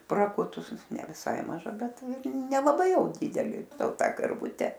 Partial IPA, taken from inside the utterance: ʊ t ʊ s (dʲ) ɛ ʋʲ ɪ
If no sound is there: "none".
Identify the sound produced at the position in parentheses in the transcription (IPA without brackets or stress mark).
nʲ